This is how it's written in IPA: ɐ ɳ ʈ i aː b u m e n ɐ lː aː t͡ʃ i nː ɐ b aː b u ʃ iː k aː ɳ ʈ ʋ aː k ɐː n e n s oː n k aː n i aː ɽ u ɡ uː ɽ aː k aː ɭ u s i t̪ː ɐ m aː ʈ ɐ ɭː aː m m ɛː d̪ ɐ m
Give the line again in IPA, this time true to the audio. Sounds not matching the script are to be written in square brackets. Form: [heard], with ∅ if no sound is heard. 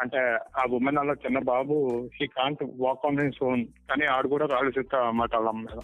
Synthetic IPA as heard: ɐ ɳ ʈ [e] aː b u m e n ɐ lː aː t͡ʃ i nː ɐ b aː b u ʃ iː k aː ɳ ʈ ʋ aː k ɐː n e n s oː n k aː n i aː ɽ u [k] uː ɽ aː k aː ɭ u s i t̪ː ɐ m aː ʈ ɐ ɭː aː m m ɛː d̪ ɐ m